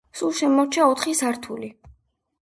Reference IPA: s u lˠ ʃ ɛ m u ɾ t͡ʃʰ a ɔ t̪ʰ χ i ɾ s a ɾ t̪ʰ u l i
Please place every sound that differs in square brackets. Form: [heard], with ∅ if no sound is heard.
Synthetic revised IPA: s u lˠ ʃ ɛ m [ɔ] ɾ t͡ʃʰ a ɔ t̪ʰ χ i [∅] s a ɾ t̪ʰ u l i